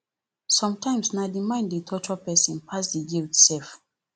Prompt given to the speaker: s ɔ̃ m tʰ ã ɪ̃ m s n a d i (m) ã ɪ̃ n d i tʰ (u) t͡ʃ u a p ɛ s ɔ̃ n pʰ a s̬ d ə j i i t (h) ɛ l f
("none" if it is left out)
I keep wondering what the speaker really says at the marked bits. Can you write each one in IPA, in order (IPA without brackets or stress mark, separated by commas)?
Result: m, ɔ, s